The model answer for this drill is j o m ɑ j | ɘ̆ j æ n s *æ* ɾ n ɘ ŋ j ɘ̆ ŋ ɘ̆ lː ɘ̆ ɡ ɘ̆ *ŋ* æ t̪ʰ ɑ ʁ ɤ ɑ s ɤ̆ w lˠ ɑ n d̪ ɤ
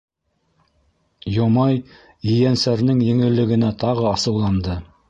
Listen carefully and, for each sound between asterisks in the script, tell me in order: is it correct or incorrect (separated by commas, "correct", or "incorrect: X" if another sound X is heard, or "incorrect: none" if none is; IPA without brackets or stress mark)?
correct, incorrect: n